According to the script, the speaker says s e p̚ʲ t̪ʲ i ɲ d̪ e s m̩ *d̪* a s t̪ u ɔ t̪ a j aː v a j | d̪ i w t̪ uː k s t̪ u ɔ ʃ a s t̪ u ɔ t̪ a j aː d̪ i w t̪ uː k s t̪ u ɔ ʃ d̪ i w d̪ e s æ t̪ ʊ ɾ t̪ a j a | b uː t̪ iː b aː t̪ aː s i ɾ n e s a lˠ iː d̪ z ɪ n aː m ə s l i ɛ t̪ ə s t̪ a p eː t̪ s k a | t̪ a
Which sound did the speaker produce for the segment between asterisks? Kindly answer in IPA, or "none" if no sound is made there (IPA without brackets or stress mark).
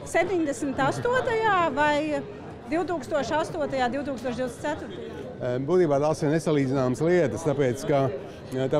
t̪